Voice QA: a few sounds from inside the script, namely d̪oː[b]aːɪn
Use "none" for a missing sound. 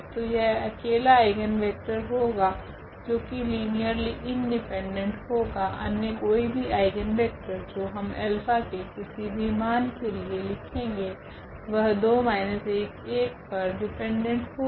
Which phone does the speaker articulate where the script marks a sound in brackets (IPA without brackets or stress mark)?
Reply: m